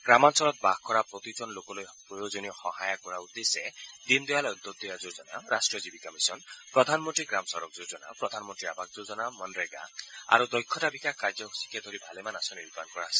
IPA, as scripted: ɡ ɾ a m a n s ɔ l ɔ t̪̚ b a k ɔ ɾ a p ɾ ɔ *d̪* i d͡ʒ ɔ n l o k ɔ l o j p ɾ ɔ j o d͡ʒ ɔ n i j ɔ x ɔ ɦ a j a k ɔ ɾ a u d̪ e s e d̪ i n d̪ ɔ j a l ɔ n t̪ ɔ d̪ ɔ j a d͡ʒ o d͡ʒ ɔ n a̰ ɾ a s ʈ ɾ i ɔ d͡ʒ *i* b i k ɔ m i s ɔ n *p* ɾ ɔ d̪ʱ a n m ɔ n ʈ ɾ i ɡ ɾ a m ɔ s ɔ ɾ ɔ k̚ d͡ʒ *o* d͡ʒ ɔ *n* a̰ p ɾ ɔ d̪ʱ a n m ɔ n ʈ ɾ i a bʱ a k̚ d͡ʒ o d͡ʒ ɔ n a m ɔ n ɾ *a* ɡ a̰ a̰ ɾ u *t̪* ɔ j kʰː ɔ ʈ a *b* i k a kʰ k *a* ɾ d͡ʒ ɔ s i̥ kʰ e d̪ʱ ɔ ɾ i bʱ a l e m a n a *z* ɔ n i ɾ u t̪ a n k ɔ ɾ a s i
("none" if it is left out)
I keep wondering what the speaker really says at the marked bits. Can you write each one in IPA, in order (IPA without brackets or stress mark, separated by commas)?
t̪, i, p, o, n, e, d̪, b, a, s